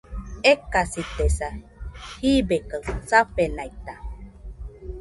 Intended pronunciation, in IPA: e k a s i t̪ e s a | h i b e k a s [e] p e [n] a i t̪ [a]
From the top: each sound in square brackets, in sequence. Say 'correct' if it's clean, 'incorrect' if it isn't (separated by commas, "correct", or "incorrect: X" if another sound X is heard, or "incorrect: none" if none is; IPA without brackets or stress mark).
incorrect: a, correct, correct